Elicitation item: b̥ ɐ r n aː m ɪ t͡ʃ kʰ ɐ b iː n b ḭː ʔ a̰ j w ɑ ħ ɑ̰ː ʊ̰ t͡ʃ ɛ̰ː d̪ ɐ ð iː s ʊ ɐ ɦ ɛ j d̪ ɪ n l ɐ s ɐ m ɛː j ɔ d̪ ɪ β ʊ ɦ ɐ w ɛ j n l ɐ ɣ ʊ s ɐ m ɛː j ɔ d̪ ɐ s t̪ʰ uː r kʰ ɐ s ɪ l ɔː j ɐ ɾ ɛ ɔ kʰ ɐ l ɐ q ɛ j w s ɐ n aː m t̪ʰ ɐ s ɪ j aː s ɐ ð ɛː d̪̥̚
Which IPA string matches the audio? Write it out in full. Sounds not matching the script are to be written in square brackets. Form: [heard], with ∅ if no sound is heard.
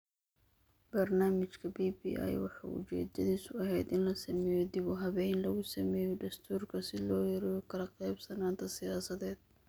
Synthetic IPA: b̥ ɐ r n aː m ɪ t͡ʃ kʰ ɐ b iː [∅] b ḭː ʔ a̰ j w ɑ ħ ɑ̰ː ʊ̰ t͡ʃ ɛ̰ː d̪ ɐ ð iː s ʊ ɐ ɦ ɛ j d̪ ɪ n l ɐ s ɐ m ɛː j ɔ d̪ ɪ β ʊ ɦ ɐ [β] ɛ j n l ɐ ɣ ʊ s ɐ m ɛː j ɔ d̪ ɐ s t̪ʰ uː r kʰ ɐ s ɪ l ɔː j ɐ ɾ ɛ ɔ kʰ ɐ l ɐ q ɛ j [b] s ɐ n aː [n] t̪ʰ ɐ s ɪ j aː s ɐ ð ɛː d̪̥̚